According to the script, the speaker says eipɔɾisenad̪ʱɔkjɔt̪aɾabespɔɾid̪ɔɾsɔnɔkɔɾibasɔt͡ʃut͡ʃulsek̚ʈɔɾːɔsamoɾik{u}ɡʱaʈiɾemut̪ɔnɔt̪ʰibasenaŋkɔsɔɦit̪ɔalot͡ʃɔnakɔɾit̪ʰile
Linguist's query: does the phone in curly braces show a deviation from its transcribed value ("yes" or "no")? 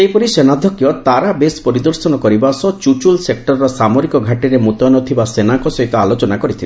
yes